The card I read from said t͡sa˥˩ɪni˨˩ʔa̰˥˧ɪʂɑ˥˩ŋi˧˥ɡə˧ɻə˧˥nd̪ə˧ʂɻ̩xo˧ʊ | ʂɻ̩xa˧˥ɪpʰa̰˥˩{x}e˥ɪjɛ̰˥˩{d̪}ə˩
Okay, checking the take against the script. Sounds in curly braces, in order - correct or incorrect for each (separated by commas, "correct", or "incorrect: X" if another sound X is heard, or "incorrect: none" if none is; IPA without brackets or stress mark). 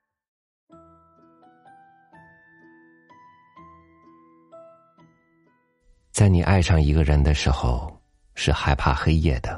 correct, correct